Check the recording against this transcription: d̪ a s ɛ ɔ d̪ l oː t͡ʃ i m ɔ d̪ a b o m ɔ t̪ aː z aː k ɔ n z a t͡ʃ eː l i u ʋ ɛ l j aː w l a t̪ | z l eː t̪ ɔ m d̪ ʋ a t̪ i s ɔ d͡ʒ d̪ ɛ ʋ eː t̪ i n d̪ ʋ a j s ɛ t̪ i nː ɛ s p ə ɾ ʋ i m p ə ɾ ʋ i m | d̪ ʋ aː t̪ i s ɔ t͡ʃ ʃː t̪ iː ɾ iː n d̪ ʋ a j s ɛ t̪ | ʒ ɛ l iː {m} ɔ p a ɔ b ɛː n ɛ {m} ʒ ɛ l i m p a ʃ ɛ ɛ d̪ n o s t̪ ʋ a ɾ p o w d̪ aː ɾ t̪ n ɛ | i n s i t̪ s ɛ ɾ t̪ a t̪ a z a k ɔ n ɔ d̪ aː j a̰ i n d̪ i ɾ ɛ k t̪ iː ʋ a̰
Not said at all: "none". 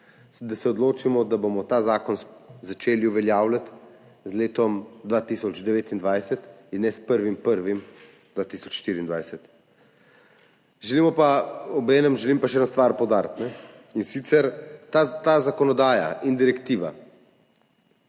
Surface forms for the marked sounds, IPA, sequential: m, m

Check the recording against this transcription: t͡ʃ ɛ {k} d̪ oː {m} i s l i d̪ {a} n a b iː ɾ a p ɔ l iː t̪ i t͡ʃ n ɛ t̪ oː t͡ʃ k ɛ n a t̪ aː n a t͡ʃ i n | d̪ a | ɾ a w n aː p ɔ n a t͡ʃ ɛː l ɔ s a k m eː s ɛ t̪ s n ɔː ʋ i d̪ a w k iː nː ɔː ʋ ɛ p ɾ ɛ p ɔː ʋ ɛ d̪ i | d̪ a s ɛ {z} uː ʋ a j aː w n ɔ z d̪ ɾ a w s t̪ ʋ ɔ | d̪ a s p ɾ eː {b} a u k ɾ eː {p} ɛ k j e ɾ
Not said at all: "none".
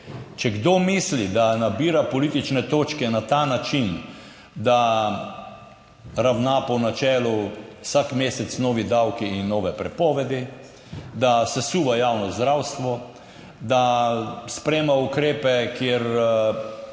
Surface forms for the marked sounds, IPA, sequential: ɡ, m, a, s, m, p

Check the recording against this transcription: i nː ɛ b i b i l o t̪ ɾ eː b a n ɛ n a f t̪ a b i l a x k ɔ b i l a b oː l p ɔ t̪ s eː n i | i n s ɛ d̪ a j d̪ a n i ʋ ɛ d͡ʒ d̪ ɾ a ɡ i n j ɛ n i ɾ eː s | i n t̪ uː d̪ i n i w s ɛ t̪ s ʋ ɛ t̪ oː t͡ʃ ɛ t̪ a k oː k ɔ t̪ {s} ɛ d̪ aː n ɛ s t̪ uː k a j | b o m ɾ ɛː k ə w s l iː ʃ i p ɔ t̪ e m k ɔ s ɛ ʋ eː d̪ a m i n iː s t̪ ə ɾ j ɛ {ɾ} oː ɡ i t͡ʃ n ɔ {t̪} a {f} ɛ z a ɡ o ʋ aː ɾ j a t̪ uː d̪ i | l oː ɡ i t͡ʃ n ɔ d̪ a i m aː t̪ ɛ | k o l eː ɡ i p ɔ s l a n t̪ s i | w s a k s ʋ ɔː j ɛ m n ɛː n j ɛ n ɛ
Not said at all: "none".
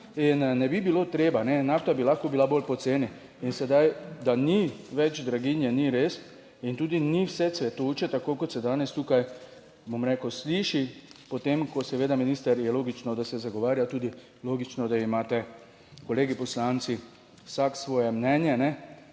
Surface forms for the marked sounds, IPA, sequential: s, l, d̪, s

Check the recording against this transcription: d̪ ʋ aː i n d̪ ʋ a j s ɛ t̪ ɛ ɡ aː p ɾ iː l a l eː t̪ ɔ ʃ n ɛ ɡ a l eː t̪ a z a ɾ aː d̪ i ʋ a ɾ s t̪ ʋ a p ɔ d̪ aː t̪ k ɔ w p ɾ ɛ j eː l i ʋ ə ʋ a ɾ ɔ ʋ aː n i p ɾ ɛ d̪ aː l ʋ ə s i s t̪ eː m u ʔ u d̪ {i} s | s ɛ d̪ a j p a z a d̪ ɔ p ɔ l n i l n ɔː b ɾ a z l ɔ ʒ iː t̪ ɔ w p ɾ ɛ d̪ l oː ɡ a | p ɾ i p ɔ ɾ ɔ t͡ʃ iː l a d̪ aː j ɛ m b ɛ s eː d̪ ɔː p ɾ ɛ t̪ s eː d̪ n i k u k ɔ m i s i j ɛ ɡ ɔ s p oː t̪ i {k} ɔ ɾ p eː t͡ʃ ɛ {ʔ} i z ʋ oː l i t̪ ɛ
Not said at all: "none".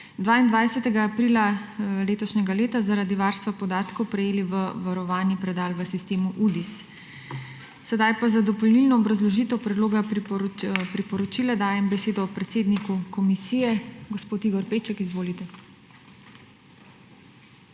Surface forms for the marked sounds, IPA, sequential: i, ɡ, k

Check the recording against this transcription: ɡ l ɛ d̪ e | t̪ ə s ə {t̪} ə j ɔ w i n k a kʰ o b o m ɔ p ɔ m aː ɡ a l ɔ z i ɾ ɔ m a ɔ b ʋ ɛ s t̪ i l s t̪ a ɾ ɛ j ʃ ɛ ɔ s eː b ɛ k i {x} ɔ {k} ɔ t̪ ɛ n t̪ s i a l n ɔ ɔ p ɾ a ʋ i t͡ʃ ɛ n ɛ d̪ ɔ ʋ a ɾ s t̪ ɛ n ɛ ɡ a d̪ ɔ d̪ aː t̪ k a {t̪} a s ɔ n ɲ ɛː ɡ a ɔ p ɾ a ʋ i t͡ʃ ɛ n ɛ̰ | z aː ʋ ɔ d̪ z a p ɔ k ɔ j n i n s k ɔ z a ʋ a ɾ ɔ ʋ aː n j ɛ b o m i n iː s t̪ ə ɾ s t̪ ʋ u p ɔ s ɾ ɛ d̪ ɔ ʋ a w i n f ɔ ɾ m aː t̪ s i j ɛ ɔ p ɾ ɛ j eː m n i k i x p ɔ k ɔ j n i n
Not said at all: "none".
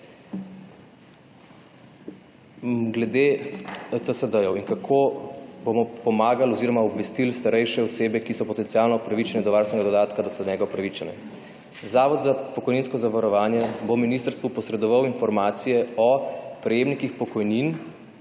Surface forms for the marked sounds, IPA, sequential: d̪, s, p, d̪

